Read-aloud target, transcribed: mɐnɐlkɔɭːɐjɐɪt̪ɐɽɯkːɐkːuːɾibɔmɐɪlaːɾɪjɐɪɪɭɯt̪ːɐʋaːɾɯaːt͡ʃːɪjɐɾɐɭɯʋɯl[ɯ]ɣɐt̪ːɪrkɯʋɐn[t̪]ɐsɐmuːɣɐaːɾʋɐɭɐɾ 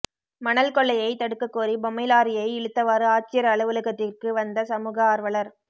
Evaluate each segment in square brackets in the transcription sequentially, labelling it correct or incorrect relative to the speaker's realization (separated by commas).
correct, incorrect